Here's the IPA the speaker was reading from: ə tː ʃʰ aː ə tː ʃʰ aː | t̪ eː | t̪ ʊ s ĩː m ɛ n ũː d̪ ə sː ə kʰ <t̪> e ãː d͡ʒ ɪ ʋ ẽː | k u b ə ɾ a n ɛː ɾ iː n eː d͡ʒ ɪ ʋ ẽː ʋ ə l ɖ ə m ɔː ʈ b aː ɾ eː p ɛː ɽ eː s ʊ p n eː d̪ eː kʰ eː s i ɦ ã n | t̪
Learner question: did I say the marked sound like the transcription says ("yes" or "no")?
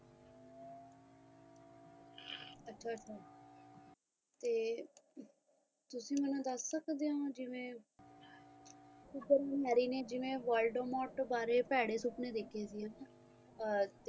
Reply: no